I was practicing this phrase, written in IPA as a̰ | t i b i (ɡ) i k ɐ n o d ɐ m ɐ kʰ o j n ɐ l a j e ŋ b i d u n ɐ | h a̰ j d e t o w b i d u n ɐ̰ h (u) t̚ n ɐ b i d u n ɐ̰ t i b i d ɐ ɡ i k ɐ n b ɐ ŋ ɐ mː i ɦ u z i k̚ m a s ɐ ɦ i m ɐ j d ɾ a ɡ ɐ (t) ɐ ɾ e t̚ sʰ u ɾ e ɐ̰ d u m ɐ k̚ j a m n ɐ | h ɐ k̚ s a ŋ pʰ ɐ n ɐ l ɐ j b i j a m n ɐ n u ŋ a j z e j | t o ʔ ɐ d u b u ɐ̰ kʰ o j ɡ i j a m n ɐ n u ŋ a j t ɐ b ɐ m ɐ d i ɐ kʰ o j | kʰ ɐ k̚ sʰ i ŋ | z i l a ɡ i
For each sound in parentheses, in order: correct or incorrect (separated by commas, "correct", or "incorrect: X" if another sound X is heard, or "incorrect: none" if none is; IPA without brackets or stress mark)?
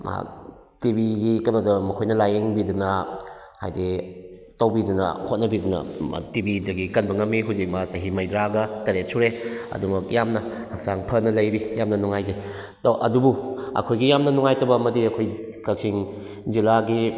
correct, incorrect: o, correct